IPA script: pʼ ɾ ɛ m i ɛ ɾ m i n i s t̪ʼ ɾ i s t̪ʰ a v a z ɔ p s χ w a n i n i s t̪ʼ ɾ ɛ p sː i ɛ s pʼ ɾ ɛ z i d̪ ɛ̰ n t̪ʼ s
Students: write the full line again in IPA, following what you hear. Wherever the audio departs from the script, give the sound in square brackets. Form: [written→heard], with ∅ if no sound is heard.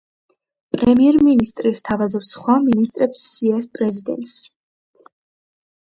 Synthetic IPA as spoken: pʼ ɾ ɛ m i ɛ ɾ m i n i s t̪ʼ ɾ i s t̪ʰ a v a z ɔ p s χ w a [n→m] i n i s t̪ʼ ɾ ɛ p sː i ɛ s pʼ ɾ ɛ z i d̪ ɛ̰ n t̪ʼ s

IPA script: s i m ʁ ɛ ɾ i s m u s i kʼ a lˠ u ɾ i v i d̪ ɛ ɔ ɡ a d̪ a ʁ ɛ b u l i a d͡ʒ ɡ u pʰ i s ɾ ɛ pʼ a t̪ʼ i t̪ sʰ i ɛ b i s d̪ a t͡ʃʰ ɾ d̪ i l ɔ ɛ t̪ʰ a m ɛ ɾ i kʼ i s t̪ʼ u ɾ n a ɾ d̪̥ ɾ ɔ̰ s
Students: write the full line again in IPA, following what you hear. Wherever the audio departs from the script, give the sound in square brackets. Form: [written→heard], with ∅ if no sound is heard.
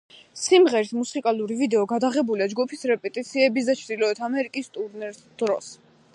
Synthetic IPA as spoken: s i m ʁ ɛ ɾ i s m u s i kʼ a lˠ u ɾ i v i d̪ ɛ ɔ ɡ a d̪ a ʁ ɛ b u l i a d͡ʒ ɡ u pʰ i s ɾ ɛ pʼ [a→ɛ] t̪ʼ i t̪ sʰ i ɛ b i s d̪ a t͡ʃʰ ɾ d̪ i l ɔ ɛ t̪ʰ a m ɛ ɾ i kʼ i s t̪ʼ u ɾ n [a→ɛ] ɾ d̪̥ ɾ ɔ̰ s

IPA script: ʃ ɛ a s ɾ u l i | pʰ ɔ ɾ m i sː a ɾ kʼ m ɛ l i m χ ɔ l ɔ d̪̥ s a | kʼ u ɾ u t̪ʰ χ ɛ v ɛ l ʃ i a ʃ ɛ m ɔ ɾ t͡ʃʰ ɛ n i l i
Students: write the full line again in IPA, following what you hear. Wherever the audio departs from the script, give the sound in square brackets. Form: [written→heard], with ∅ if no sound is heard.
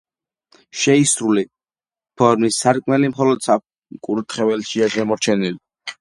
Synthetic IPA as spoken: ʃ ɛ [a→i] s ɾ u l i | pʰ ɔ ɾ m i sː a ɾ kʼ m ɛ l i m χ ɔ l ɔ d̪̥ s a | kʼ u ɾ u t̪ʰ χ ɛ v ɛ l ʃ i a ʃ ɛ m ɔ ɾ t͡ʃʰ ɛ n i l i

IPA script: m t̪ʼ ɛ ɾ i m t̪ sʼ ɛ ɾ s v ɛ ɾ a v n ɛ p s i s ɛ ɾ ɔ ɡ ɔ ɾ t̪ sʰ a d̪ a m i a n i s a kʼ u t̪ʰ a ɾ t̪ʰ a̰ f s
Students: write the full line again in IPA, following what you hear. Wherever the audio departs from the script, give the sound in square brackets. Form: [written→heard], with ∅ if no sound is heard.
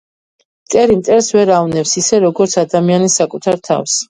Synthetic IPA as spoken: m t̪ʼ ɛ ɾ i m t̪ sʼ ɛ ɾ s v ɛ ɾ a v n ɛ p s i s ɛ ɾ ɔ ɡ ɔ ɾ t̪ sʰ a d̪ a m i a n i s a kʼ u t̪ʰ a ɾ t̪ʰ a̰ f s

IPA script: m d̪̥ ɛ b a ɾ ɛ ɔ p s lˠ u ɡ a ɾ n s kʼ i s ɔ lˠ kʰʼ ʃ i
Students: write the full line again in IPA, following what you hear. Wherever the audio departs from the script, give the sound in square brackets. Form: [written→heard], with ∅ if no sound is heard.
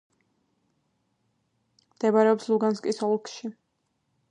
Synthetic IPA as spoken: m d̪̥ ɛ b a ɾ ɛ ɔ p s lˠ u ɡ a [ɾ→∅] n s kʼ i s ɔ lˠ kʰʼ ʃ i

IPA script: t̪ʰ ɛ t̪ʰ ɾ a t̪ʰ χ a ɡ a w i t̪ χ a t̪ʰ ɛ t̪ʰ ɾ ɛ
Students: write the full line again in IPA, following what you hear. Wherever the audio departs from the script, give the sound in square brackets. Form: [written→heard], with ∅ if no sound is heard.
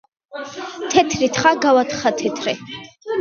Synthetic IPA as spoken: t̪ʰ ɛ t̪ʰ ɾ [a→i] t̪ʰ χ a ɡ a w [i→a] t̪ χ a t̪ʰ ɛ t̪ʰ ɾ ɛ

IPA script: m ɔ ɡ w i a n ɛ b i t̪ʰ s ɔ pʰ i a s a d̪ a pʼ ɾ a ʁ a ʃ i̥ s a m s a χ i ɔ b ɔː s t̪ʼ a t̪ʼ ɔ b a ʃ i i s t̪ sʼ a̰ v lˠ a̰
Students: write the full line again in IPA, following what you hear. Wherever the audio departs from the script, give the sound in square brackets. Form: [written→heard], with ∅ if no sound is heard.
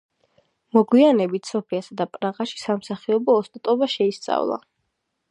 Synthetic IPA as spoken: m ɔ ɡ w i a n ɛ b i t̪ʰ s ɔ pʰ i a s a d̪ a pʼ ɾ a ʁ a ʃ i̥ s a m s a χ i ɔ b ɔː s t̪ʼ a t̪ʼ ɔ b a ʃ [i→ɛ] i s t̪ sʼ a̰ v lˠ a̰

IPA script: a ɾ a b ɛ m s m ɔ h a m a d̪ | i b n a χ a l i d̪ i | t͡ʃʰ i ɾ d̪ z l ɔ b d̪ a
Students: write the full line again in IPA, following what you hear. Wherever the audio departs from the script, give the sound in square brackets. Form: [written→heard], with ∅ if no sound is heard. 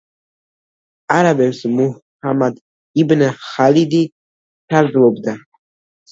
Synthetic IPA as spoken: a ɾ a b ɛ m s m [ɔ→u] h a m a d̪ | i b n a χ a l i d̪ i | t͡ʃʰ [i→a] ɾ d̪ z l ɔ b d̪ a

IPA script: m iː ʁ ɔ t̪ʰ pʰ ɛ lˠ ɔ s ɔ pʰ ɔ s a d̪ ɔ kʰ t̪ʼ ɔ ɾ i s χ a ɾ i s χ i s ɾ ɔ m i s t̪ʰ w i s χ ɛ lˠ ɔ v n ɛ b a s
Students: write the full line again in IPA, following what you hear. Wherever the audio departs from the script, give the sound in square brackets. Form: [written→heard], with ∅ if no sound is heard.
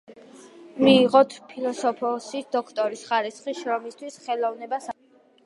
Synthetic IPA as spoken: m iː ʁ ɔ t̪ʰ pʰ [ɛ→i] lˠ ɔ s ɔ pʰ ɔ s [a→i] d̪ ɔ kʰ t̪ʼ ɔ ɾ i s χ a ɾ i s χ i [s→ʃ] ɾ ɔ m i s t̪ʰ w i s χ ɛ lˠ ɔ v n ɛ b a s

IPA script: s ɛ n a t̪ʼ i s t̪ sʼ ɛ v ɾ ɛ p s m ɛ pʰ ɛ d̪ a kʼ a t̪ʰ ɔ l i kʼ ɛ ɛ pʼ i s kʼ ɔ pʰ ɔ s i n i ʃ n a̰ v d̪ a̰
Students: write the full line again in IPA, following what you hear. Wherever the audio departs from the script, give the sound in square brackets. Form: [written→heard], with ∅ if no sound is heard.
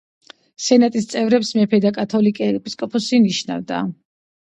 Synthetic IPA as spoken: s ɛ n a t̪ʼ i s t̪ sʼ ɛ v ɾ ɛ p s m ɛ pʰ ɛ d̪ a kʼ a t̪ʰ ɔ l i kʼ ɛ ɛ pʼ i s kʼ ɔ pʰ ɔ s i n i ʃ n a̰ v d̪ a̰

